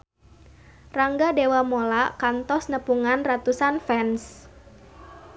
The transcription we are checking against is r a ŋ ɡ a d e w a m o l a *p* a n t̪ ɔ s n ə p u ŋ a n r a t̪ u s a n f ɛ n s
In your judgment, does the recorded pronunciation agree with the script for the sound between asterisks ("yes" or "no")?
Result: no